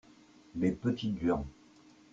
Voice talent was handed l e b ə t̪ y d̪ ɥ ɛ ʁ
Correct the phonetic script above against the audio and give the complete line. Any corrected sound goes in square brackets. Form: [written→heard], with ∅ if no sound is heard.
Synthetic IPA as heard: l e [b→p] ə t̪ [y→i] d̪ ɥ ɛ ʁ